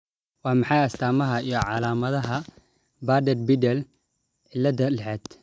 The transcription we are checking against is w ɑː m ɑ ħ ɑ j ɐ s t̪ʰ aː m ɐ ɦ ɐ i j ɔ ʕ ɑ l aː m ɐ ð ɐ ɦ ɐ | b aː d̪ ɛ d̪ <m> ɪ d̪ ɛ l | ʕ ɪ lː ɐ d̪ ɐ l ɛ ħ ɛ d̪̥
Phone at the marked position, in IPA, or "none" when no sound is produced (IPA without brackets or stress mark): b